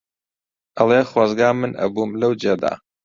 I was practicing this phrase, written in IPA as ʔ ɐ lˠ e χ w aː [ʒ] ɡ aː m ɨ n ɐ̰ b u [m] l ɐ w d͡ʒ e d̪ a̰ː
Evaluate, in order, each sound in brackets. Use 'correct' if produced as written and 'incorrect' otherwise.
incorrect, correct

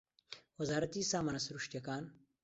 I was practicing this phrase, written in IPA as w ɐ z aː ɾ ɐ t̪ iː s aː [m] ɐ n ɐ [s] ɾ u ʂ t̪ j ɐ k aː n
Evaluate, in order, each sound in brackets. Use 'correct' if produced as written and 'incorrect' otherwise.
correct, correct

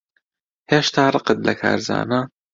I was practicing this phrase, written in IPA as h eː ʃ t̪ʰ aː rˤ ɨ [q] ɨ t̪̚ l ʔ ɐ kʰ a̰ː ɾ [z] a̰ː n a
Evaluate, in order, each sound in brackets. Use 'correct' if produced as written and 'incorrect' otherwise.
correct, correct

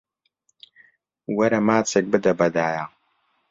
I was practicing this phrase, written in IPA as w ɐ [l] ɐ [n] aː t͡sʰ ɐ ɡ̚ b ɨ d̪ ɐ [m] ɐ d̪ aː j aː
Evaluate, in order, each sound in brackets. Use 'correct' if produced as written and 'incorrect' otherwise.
incorrect, incorrect, incorrect

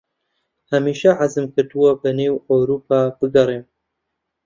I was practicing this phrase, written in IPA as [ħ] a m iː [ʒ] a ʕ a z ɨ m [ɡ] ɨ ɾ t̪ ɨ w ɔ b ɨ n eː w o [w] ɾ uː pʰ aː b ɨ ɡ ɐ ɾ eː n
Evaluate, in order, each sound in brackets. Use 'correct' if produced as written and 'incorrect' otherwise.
incorrect, incorrect, incorrect, correct

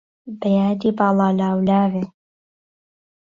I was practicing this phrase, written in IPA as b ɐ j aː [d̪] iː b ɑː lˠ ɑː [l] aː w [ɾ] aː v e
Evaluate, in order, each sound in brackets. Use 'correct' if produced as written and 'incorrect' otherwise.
correct, correct, incorrect

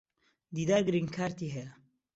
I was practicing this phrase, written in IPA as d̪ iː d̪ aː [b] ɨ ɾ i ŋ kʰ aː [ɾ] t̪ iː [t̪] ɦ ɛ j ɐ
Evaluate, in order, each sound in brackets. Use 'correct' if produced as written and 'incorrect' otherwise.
incorrect, correct, incorrect

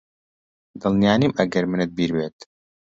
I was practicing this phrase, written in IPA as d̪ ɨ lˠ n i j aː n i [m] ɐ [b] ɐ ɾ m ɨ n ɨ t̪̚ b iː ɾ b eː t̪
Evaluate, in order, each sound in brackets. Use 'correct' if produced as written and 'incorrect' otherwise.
correct, incorrect

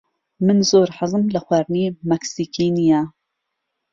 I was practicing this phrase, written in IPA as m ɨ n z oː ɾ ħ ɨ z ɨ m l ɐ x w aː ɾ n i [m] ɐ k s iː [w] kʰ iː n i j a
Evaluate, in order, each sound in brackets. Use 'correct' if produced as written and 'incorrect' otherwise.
correct, incorrect

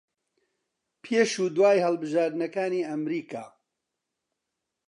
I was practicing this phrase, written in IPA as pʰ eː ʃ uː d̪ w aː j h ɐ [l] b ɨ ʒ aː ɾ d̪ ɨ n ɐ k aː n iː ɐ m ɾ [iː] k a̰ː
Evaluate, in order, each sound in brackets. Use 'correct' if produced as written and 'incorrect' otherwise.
correct, correct

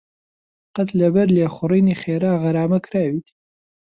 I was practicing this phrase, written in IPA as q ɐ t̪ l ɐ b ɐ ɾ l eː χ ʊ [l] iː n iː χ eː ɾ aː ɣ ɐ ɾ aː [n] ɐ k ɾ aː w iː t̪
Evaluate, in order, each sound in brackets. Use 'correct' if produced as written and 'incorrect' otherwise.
incorrect, incorrect

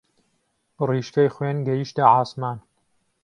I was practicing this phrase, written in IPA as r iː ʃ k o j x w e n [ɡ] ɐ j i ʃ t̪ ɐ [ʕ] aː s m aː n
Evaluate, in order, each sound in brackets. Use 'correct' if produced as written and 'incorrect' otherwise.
correct, correct

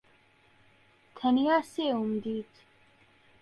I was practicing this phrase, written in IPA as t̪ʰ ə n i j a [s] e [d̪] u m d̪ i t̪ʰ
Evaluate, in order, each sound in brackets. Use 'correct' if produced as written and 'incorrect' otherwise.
correct, incorrect

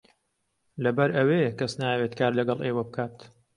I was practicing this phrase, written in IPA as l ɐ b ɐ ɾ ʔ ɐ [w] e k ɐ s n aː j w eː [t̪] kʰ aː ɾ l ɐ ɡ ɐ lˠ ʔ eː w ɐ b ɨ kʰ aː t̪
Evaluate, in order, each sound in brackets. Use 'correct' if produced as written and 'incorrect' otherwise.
correct, correct

